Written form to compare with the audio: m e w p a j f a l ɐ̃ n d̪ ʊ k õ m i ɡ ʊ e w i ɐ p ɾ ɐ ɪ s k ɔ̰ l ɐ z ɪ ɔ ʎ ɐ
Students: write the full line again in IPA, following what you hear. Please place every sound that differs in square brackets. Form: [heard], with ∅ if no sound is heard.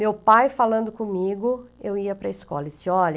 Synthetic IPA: m e w p a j f a l ɐ̃ n d̪ ʊ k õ m i ɡ ʊ e w i ɐ p ɾ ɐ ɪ s k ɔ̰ l ɐ [s] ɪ ɔ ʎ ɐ